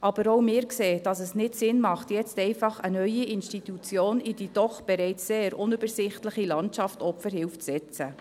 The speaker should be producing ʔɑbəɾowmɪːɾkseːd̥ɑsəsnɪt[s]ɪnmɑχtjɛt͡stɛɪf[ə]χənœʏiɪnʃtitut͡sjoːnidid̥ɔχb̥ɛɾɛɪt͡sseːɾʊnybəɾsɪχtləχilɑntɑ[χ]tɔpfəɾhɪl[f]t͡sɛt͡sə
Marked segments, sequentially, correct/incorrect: correct, incorrect: ɑ, incorrect: f, correct

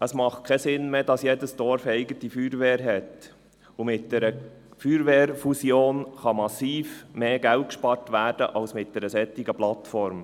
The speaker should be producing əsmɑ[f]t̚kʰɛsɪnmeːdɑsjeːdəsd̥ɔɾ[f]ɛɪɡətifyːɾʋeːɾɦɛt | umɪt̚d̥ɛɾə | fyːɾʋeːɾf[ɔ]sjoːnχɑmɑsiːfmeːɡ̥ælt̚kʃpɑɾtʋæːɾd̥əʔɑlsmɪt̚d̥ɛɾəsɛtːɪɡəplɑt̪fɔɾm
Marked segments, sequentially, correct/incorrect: incorrect: χ, correct, incorrect: u

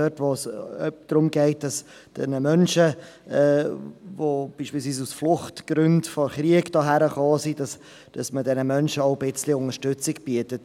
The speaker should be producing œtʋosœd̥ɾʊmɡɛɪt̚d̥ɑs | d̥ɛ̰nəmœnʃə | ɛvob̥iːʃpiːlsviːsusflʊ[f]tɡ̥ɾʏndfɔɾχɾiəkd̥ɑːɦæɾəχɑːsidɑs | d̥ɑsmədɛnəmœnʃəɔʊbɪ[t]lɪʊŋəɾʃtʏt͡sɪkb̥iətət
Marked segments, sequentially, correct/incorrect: incorrect: χ, incorrect: t͡s

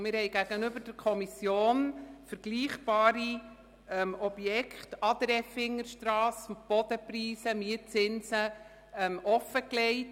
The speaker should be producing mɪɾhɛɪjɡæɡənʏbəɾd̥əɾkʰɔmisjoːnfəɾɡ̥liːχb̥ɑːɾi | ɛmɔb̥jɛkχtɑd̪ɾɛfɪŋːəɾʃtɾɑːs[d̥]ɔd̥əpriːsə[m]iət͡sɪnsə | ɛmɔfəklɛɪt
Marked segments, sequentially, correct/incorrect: incorrect: b̥, correct

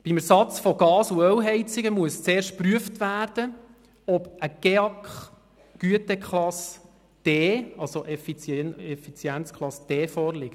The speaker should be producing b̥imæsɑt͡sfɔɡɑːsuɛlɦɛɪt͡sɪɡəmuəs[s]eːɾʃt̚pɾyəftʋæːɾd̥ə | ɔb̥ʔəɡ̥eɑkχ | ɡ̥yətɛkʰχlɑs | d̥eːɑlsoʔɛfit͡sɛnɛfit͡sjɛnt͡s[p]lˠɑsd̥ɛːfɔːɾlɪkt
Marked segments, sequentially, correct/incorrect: incorrect: t͡s, incorrect: k

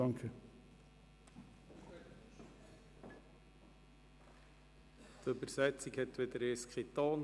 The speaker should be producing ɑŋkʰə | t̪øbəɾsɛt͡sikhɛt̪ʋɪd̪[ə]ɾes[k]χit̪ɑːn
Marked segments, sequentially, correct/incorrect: correct, correct

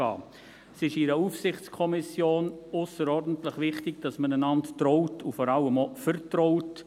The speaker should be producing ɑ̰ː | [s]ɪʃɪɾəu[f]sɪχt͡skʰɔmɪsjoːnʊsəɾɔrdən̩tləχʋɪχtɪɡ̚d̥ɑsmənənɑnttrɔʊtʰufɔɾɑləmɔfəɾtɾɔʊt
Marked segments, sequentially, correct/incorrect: correct, correct

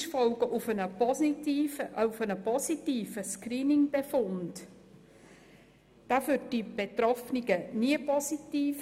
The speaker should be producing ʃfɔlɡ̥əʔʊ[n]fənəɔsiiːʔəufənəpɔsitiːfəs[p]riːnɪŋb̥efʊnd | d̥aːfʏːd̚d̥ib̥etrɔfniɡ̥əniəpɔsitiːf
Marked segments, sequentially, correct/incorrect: incorrect: none, incorrect: k

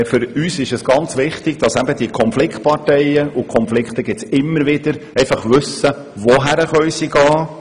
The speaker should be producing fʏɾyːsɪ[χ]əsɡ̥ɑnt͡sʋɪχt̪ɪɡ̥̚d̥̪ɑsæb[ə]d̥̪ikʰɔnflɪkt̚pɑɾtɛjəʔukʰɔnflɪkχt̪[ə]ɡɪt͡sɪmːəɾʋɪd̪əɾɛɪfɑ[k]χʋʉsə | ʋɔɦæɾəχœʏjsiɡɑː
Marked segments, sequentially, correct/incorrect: incorrect: ʃ, correct, correct, incorrect: none

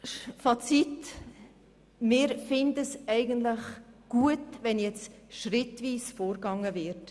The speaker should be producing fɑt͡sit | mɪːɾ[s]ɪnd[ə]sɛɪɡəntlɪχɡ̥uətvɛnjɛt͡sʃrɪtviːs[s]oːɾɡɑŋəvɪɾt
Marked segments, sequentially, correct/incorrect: incorrect: f, correct, incorrect: f

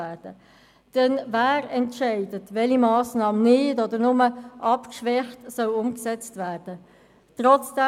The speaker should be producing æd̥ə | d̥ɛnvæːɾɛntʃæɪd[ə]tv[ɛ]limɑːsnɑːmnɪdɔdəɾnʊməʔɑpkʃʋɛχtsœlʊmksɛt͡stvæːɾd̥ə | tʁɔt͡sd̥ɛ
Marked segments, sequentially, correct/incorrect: correct, correct

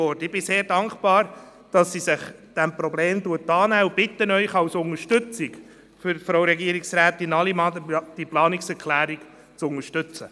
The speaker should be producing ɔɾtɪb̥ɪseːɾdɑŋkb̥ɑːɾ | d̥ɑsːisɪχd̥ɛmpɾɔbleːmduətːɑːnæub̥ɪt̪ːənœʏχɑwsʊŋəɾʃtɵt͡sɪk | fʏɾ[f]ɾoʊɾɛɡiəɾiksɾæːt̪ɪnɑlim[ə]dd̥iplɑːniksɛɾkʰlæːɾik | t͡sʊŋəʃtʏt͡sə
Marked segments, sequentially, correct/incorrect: correct, incorrect: ɑ

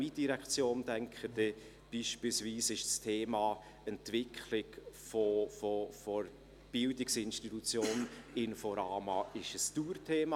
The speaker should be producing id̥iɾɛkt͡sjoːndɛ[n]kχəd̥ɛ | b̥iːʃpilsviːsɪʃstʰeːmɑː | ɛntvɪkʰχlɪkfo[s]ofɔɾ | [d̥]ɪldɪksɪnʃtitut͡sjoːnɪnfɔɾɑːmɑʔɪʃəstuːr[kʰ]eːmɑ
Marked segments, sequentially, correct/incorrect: incorrect: ŋ, incorrect: f, incorrect: b̥, incorrect: tʰ

